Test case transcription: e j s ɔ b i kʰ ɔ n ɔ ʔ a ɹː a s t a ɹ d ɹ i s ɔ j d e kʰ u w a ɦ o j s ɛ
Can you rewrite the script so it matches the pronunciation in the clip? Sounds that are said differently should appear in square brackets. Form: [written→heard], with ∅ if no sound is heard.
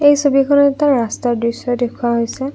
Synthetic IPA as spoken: e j s [ɔ→o] b i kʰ ɔ n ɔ [ʔ→t] a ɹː a s t a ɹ d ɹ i s ɔ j d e kʰ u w a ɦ o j s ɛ